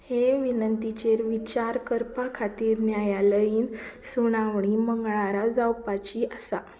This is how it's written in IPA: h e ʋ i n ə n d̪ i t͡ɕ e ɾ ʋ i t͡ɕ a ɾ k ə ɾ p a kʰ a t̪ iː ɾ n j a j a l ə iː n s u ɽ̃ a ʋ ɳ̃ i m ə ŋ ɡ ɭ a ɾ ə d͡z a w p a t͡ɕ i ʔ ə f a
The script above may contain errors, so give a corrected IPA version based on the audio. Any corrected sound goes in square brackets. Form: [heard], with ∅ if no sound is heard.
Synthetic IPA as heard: h e ʋ i n ə n [t̪] i t͡ɕ e ɾ ʋ i t͡ɕ a ɾ k ə ɾ p a kʰ a t̪ iː ɾ n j a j a l ə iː n s u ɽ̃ a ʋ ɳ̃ i m ə ŋ ɡ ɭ a ɾ [a] d͡z a w p a t͡ɕ i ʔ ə [s] a